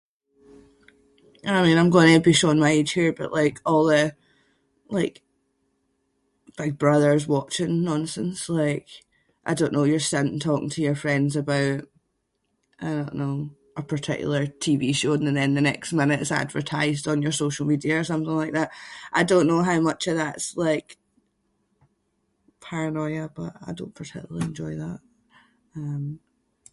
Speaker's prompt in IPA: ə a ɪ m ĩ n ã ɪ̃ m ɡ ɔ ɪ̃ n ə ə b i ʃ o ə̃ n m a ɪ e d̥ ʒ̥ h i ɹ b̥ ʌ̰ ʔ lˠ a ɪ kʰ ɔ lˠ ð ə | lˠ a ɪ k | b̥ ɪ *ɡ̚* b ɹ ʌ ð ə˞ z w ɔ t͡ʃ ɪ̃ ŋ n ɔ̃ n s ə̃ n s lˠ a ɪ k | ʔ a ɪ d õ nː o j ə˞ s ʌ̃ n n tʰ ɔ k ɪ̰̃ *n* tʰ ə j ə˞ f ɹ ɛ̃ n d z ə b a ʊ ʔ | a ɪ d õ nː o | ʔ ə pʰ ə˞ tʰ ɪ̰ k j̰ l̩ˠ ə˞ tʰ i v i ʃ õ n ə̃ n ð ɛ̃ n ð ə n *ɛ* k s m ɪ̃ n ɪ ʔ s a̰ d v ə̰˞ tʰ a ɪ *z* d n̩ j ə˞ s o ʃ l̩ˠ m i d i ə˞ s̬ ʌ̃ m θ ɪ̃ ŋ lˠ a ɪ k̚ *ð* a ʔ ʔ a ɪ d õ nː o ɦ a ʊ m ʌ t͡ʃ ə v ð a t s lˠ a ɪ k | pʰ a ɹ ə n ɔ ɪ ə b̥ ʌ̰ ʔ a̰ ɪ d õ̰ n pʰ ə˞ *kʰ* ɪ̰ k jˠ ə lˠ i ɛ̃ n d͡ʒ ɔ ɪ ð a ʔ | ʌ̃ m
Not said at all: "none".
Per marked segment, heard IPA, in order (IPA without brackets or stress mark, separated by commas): ɡ̚, ŋ, ɛ, z, ð, tʰ